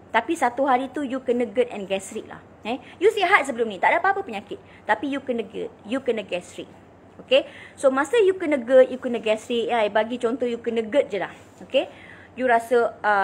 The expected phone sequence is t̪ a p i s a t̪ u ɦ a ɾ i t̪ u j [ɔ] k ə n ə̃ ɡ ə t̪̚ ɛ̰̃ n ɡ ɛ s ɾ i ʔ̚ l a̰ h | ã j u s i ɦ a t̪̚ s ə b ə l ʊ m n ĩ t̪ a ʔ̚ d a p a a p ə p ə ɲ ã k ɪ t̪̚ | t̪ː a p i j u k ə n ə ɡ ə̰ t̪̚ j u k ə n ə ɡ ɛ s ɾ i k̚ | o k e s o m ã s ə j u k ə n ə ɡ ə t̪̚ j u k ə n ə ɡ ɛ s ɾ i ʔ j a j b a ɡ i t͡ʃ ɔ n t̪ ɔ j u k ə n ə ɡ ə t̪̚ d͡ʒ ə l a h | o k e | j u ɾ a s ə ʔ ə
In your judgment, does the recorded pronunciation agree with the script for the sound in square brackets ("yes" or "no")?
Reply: no